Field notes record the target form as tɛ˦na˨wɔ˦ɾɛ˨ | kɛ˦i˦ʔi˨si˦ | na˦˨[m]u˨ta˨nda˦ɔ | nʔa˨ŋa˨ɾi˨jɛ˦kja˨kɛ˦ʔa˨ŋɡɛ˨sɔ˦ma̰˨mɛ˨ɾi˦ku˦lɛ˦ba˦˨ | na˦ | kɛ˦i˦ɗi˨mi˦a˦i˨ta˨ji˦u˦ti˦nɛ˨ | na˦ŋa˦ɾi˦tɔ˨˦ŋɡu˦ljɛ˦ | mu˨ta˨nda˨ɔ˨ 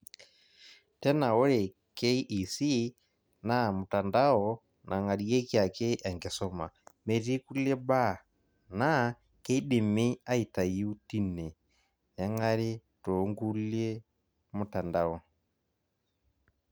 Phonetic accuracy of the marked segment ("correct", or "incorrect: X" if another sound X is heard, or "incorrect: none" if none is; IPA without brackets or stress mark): correct